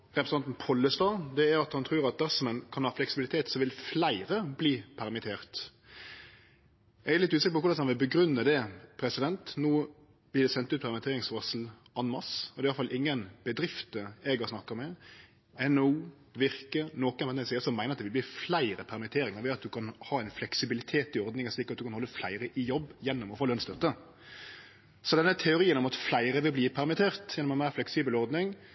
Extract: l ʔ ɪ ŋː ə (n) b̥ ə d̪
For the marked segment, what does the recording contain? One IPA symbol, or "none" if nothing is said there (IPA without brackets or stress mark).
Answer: n